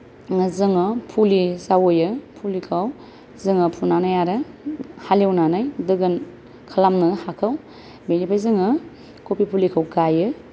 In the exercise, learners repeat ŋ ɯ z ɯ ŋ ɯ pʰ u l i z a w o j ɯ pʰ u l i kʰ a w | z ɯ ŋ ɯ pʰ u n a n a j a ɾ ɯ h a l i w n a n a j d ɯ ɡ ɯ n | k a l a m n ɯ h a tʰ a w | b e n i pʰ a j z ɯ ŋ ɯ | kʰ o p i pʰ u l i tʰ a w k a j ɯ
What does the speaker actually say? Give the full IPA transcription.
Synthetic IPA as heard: ŋ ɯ z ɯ ŋ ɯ pʰ u l i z a w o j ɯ pʰ u l i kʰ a w | z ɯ ŋ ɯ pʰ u n a n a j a ɾ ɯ h a l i w n a n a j d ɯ ɡ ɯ n | kʰ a l a m n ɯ h a kʰ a w | b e n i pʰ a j z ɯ ŋ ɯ | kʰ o p i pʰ u l i kʰ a w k a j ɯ